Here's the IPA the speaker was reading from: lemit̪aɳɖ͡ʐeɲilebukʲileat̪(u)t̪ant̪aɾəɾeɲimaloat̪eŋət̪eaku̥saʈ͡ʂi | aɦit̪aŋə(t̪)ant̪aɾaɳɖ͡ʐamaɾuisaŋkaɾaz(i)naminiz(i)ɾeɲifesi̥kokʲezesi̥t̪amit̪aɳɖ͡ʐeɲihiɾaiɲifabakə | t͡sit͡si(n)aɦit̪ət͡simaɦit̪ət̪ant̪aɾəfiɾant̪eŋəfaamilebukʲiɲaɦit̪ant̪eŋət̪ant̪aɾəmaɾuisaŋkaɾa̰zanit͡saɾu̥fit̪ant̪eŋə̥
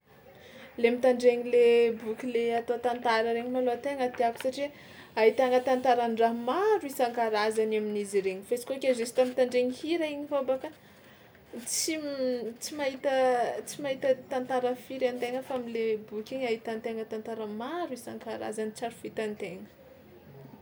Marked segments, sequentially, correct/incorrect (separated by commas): incorrect, correct, incorrect, correct, incorrect